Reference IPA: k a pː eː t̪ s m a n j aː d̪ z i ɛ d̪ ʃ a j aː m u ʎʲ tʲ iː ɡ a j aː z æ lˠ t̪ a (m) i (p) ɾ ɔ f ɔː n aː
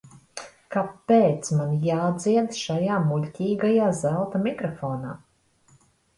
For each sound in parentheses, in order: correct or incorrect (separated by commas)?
correct, incorrect